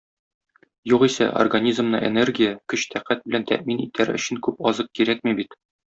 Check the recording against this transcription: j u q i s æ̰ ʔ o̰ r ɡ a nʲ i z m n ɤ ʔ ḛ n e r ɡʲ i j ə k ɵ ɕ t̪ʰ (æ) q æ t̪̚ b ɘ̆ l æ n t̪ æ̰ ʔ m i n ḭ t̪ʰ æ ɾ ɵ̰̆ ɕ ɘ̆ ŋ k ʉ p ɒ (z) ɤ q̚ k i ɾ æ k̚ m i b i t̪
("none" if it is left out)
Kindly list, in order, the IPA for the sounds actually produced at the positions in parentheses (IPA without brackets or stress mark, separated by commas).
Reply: æ, z